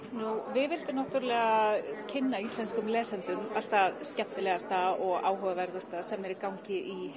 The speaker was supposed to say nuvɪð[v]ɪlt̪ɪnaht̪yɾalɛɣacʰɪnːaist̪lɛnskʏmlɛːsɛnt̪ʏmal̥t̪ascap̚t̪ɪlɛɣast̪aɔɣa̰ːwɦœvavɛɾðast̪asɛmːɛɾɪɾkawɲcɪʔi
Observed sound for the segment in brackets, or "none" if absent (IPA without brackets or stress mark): v